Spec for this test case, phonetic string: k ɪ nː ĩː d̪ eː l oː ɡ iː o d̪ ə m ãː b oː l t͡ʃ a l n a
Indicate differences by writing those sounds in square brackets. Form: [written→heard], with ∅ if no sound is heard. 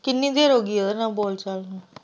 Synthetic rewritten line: k ɪ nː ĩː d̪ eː [l→ɾ] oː ɡ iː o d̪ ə [m→n] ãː b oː l t͡ʃ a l n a